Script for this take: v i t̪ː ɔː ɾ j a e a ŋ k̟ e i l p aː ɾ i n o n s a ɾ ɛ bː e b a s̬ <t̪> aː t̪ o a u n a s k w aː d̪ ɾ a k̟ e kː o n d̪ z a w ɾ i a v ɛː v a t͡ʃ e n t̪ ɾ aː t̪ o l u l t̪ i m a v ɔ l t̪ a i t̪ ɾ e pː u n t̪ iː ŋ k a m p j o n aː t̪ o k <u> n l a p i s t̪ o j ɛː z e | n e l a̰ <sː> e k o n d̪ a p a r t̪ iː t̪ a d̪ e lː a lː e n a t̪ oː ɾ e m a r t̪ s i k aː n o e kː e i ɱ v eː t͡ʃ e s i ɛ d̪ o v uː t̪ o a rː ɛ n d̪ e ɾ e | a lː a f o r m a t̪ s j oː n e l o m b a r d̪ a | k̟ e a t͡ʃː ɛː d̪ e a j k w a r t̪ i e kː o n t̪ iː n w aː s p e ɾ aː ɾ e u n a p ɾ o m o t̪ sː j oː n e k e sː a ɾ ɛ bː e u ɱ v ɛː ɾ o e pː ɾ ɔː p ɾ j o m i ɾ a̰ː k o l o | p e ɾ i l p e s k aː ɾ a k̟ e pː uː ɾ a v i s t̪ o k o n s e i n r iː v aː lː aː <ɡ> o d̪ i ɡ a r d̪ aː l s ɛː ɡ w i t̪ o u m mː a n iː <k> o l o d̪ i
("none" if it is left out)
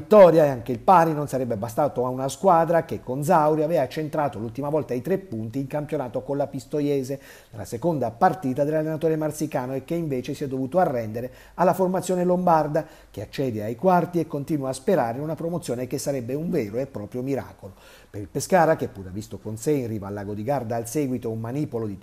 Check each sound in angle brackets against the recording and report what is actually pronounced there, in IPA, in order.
t̪, o, s, ɡ, p

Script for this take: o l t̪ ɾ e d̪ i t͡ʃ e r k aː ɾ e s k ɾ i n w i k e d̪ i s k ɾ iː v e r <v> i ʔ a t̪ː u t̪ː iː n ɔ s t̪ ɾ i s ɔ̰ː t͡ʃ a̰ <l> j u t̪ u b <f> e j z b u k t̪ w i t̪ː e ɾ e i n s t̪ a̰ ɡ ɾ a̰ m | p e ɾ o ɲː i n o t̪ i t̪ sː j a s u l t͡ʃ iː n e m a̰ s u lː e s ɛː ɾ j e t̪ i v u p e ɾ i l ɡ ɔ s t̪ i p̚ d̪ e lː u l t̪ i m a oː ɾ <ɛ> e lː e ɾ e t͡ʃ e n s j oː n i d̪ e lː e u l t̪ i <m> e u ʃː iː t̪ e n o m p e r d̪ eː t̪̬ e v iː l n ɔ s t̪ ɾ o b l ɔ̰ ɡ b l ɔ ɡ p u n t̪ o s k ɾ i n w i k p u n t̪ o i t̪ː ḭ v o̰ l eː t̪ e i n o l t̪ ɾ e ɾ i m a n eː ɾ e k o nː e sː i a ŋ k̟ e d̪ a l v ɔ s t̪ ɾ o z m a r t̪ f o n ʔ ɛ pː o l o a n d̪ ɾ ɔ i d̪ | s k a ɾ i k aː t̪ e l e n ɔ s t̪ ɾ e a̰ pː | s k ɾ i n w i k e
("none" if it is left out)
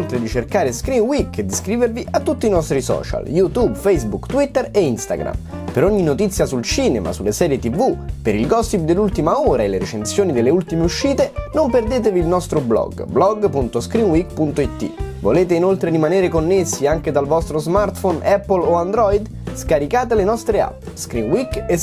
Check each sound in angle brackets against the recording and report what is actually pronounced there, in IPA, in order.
v, l, f, a, m

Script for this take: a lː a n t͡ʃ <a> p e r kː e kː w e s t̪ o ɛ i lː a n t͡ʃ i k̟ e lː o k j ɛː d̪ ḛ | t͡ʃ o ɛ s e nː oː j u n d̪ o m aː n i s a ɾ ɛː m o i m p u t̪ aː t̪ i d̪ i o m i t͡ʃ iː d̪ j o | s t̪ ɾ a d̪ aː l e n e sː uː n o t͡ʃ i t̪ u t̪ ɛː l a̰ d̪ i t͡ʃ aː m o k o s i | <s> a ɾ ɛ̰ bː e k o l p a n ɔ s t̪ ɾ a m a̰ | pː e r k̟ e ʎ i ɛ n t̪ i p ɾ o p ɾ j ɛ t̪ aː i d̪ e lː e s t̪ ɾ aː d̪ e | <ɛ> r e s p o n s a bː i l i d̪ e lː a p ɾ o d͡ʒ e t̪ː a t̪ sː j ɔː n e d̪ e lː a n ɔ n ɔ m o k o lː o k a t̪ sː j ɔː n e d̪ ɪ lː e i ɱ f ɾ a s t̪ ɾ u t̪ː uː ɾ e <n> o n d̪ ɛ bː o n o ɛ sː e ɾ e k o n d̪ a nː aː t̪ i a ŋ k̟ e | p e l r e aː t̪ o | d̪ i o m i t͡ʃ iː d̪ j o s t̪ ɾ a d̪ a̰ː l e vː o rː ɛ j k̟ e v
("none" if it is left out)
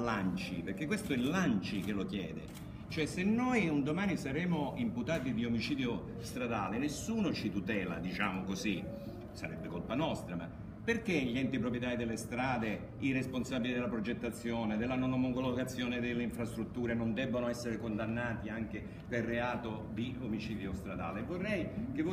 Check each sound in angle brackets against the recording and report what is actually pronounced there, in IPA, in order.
i, s, i, n

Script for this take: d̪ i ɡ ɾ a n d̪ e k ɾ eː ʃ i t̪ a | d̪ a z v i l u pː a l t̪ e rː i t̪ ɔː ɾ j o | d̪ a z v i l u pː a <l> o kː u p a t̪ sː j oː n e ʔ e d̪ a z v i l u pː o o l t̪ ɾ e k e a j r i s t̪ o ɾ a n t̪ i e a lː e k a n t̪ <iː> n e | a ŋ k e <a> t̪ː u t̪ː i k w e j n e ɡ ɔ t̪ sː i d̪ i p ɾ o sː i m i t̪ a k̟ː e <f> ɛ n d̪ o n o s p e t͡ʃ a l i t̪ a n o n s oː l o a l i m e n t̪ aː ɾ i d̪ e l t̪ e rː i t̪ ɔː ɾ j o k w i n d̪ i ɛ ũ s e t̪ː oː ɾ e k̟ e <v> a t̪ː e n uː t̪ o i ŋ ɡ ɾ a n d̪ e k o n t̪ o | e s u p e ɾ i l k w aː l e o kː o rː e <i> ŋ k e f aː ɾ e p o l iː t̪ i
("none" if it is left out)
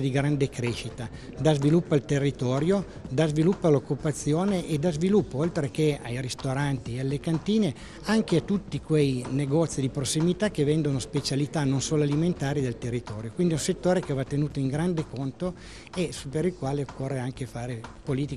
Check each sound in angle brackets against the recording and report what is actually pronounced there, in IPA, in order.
l, iː, a, v, v, a

